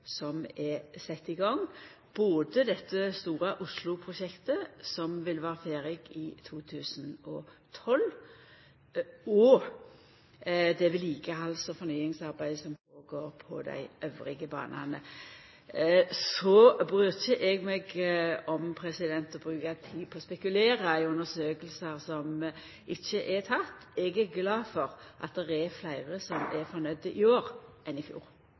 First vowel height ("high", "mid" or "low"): mid